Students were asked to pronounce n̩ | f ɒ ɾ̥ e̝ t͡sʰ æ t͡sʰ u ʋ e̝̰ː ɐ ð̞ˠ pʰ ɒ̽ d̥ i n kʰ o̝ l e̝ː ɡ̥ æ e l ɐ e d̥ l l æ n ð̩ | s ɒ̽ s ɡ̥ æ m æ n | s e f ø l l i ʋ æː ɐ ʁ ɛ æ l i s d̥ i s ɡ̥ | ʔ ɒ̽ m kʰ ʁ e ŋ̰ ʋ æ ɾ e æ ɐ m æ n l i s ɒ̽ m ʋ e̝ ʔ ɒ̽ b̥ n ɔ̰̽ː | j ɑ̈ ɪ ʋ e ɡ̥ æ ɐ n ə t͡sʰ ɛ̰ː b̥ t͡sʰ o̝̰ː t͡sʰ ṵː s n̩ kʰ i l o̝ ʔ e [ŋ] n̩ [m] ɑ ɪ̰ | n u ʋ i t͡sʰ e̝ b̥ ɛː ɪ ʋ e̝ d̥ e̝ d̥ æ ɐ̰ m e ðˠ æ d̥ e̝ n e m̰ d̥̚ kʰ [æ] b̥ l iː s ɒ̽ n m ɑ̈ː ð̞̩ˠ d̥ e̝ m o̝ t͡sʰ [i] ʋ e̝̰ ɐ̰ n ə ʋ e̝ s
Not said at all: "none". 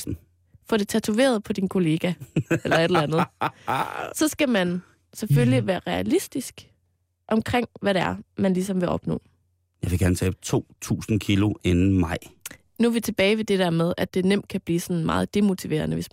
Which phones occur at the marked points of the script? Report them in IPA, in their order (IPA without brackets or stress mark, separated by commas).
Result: n, m, æ, i